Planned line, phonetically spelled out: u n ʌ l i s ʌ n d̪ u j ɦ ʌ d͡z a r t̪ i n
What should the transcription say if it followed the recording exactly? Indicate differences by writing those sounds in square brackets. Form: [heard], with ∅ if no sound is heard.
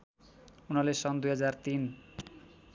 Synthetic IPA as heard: u n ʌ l [e] s ʌ n d̪ u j ɦ ʌ d͡z a r t̪ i n